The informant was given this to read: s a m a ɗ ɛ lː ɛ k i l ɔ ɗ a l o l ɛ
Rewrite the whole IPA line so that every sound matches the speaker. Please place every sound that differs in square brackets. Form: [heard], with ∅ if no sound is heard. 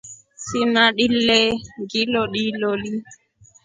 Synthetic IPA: s [i] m a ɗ [i] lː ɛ [ɡ] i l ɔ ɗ [i] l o l [i]